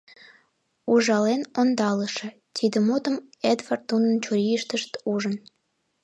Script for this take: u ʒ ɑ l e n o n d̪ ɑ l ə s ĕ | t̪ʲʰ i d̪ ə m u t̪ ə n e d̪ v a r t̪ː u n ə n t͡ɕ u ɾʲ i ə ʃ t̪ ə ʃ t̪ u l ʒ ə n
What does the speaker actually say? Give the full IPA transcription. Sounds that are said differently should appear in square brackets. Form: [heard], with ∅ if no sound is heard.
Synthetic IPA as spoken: u ʒ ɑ l e n o n d̪ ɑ l ə [ʃ] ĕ | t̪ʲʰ i d̪ ə m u t̪ ə [m] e d̪ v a r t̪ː u n ə n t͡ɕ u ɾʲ i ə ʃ t̪ ə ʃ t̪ u [∅] ʒ ə n